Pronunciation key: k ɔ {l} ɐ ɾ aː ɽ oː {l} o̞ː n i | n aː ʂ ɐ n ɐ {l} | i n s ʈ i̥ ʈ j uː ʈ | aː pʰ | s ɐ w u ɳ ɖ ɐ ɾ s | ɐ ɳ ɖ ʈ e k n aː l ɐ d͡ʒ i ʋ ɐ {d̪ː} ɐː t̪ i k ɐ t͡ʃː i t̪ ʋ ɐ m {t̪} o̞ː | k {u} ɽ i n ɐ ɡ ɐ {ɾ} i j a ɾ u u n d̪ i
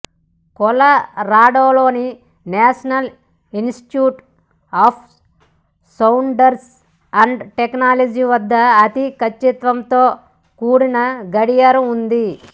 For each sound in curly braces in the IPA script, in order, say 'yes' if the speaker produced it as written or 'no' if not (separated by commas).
yes, yes, yes, yes, yes, no, no